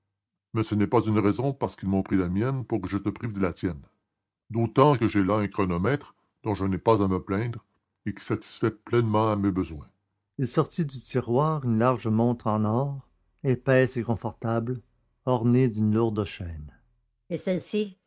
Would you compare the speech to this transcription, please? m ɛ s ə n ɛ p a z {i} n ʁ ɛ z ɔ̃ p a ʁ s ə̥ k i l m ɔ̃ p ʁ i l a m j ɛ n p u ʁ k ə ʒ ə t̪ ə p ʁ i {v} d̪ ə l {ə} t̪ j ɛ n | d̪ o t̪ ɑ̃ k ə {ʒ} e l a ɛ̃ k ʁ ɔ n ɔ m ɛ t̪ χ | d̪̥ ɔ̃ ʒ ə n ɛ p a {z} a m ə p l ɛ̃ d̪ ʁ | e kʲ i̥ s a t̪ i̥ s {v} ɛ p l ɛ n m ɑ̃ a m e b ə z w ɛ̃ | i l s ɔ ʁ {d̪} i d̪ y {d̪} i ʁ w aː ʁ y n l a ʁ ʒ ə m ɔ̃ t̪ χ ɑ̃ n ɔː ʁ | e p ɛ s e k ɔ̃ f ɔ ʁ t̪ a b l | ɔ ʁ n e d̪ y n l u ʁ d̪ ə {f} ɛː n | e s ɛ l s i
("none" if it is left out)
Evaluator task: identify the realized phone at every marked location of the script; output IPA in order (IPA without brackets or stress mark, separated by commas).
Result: y, v, a, ʒ, z, f, t̪, t̪, ʃ